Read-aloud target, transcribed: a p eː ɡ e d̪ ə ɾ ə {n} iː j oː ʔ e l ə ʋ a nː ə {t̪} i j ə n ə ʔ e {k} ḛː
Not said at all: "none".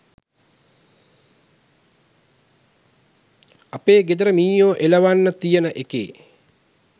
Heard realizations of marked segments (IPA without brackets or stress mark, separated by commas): m, t̪, k